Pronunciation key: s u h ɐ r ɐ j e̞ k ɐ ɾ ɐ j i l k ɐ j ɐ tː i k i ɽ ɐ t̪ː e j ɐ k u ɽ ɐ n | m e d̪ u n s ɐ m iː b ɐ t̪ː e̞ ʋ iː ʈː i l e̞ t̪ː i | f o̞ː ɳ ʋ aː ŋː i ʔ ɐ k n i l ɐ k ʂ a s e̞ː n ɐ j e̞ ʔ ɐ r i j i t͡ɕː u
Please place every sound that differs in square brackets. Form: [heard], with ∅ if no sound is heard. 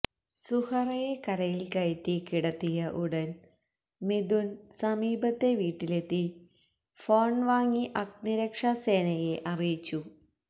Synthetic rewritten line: s u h ɐ r ɐ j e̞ k ɐ ɾ ɐ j i l k ɐ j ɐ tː i k i ɽ ɐ t̪ː [i] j ɐ [ʔ] u ɽ ɐ n | m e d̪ u n s ɐ m iː b ɐ t̪ː e̞ ʋ iː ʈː i l e̞ t̪ː i | f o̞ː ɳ ʋ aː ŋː i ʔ ɐ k n i [ɾ] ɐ k ʂ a s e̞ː n ɐ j e̞ ʔ ɐ r i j i t͡ɕː u